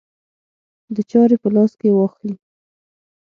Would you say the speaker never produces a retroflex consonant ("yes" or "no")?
yes